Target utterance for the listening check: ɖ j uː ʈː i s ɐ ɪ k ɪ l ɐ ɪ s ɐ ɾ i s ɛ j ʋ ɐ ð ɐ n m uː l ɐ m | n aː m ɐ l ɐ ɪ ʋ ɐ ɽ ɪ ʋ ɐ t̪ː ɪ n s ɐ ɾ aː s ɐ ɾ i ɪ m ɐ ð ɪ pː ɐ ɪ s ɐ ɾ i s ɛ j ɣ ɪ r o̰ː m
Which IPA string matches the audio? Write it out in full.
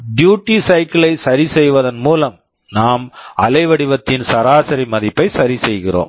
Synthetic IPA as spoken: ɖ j uː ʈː i s ɐ ɪ k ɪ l ɐ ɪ s ɐ ɾ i s ɛ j ʋ ɐ ð ɐ n m uː l ɐ m | n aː m ɐ l ɐ ɪ ʋ ɐ ɽ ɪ ʋ ɐ t̪ː ɪ n s ɐ ɾ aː s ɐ ɾ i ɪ m ɐ ð ɪ pː ɐ ɪ s ɐ ɾ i s ɛ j ɣ ɪ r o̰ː m